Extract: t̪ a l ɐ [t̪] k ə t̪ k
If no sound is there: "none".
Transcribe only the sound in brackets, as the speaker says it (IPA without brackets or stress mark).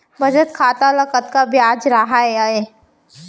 none